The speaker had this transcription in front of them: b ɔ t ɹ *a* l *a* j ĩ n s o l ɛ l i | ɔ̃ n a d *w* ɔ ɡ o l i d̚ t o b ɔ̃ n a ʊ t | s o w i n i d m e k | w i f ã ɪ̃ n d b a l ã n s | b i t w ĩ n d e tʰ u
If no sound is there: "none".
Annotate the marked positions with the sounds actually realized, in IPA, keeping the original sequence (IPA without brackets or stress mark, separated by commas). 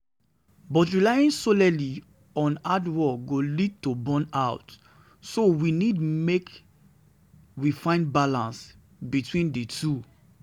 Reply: i, a, w